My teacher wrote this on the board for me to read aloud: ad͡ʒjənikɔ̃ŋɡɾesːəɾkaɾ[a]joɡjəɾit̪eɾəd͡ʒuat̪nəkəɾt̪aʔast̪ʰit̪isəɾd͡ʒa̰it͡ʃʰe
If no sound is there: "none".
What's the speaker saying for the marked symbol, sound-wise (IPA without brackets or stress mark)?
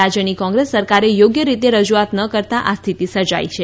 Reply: e